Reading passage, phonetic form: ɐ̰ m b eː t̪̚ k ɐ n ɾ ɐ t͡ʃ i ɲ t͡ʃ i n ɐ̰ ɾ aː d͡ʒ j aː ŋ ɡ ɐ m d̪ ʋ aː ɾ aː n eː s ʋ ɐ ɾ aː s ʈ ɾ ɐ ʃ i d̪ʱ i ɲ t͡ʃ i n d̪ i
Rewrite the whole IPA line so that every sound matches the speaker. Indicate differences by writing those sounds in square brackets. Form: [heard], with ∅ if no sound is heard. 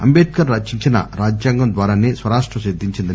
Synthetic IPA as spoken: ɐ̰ m b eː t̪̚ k ɐ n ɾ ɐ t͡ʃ i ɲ t͡ʃ i n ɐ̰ ɾ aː d͡ʒ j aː ŋ ɡ ɐ m d̪ ʋ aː ɾ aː n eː s ʋ ɐ ɾ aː [ʂ] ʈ ɾ ɐ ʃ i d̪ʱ i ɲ t͡ʃ i n d̪ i